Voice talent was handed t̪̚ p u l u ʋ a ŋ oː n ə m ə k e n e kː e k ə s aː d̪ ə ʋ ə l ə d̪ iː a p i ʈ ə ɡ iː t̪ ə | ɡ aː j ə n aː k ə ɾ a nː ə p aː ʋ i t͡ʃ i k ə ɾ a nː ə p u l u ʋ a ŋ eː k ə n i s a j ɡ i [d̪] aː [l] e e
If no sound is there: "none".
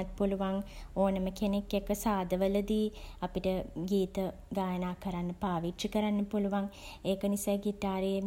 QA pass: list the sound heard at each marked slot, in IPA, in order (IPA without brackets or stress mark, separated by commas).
t̪, ɾ